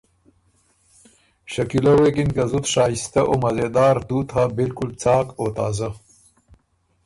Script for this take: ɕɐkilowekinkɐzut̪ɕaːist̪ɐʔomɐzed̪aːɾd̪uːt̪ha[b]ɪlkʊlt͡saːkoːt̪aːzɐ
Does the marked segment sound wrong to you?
no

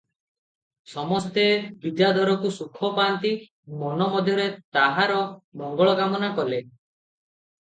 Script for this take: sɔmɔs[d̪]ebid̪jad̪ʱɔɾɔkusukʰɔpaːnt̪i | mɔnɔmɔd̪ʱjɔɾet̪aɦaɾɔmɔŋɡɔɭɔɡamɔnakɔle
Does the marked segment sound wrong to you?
yes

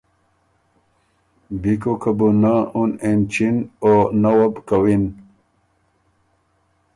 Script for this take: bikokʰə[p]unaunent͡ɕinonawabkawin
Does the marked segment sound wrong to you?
yes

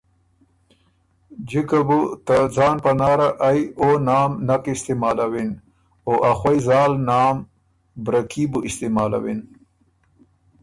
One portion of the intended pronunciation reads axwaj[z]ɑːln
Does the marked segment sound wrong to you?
no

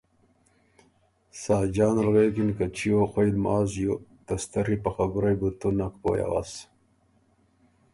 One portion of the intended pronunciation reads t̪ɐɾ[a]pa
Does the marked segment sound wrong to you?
yes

